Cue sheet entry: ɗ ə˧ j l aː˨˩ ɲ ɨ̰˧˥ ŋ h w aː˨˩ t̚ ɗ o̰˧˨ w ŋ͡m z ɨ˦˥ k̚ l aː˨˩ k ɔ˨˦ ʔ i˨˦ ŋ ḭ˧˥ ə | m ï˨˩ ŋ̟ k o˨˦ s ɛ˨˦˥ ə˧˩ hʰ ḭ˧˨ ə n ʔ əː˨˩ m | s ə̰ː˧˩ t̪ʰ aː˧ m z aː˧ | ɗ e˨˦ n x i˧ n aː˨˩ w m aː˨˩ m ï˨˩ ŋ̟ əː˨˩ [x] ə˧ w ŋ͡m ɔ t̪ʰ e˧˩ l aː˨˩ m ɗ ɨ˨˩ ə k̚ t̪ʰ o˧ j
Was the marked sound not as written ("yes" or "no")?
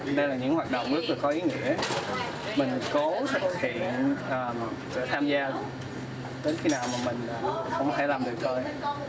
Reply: no